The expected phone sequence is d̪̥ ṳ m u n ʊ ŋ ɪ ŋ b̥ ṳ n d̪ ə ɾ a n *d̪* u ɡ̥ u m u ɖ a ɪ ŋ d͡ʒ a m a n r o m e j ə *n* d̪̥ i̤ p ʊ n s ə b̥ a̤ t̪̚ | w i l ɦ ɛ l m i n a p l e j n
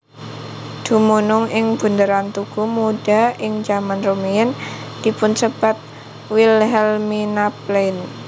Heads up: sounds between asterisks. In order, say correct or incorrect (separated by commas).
incorrect, correct